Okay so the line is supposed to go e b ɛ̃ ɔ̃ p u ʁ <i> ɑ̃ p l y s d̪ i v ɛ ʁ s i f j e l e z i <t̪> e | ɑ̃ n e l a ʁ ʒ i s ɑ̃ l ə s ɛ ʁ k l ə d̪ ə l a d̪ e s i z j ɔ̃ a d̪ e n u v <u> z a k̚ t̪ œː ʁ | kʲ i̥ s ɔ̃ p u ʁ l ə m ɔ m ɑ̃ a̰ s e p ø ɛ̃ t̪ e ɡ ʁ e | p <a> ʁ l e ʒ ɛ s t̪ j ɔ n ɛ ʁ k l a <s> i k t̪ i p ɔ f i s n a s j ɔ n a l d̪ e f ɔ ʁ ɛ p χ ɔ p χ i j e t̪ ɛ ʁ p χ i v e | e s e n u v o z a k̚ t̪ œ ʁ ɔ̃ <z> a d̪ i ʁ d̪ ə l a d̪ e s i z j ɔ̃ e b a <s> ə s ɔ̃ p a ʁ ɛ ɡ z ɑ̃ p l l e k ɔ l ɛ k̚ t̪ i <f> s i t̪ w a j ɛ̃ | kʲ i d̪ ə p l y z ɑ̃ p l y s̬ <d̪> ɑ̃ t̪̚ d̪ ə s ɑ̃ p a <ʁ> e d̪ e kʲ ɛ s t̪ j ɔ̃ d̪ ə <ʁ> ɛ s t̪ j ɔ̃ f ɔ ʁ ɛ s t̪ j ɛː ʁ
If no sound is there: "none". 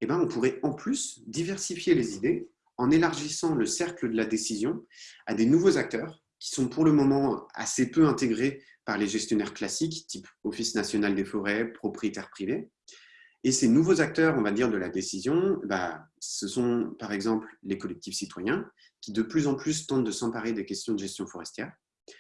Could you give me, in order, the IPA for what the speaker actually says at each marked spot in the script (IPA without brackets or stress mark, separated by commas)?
ɛ, d̪, o, a, s, v, s, f, t̪, ʁ, ʒ